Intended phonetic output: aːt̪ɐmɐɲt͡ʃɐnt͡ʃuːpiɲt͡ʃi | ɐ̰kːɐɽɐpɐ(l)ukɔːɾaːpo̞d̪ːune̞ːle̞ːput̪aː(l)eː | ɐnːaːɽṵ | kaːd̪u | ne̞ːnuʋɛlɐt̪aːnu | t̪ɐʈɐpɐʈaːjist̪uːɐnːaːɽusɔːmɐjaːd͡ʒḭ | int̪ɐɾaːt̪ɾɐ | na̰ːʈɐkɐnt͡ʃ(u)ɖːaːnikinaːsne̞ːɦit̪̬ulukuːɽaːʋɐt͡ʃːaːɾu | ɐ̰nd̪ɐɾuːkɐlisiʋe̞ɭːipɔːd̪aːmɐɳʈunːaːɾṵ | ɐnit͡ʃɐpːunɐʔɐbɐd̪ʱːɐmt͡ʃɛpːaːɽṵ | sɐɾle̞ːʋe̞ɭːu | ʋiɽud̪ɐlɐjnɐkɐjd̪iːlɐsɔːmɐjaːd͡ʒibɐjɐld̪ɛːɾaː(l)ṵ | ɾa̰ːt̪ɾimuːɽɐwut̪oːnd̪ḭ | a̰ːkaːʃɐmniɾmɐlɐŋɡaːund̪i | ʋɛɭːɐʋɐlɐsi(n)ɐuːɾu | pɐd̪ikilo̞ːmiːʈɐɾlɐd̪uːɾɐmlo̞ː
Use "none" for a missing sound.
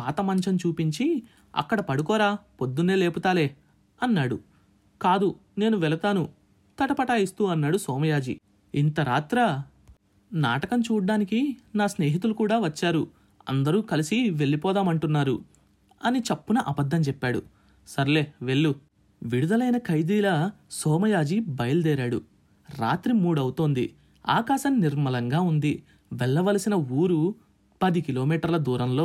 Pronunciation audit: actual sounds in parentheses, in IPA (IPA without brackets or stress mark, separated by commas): ɽ, l, uː, ɽ, n